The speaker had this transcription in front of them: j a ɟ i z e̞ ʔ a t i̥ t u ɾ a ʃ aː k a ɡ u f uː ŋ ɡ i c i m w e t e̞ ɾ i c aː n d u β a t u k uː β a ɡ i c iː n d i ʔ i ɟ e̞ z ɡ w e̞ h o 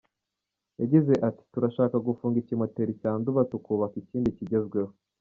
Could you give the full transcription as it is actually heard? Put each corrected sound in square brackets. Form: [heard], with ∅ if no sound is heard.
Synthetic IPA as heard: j a ɟ i z e̞ ʔ a t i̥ t u ɾ a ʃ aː k a ɡ u f uː ŋ ɡ i c i m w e t e̞ ɾ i c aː n d u β a t u k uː β a [k] i c iː n d i [c] i ɟ e̞ z ɡ w e̞ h o